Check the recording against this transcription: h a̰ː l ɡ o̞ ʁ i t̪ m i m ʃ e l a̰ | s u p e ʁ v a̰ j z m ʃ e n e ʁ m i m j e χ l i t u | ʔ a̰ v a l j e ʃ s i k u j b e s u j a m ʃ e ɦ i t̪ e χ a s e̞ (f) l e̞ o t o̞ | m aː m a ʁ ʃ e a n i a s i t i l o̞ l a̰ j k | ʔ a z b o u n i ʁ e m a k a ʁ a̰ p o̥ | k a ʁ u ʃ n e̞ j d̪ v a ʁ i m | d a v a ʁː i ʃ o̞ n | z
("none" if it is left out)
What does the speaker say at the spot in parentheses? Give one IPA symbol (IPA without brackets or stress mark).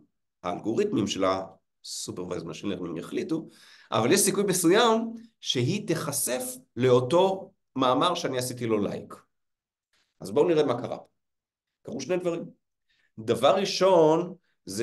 f